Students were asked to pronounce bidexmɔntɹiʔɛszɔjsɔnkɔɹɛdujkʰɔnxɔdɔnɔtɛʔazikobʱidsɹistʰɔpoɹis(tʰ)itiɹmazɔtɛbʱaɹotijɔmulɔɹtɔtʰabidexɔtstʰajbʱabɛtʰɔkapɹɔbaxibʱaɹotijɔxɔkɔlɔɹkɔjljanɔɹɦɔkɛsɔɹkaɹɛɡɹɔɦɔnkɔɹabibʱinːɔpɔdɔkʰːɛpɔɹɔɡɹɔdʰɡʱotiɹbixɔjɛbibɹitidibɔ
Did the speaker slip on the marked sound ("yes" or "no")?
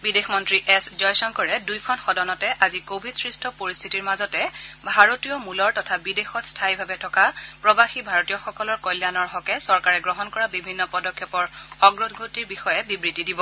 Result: no